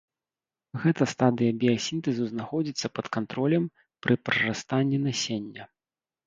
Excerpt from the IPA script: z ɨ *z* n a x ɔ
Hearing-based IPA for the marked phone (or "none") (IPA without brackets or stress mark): z